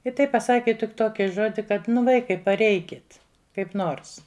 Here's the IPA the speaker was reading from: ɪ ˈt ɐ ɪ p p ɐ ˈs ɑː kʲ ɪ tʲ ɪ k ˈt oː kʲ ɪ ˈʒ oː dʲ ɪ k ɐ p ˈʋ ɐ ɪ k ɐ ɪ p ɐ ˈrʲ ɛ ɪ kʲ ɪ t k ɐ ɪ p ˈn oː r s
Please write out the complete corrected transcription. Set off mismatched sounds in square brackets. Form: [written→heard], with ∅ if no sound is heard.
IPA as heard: ɪ ˈt ɐ ɪ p p ɐ ˈs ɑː kʲ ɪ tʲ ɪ k ˈt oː kʲ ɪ ˈʒ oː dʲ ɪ k ɐ [p→t] ˈʋ ɐ ɪ k ɐ ɪ p ɐ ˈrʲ ɛ ɪ kʲ ɪ t k ɐ ɪ p ˈn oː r s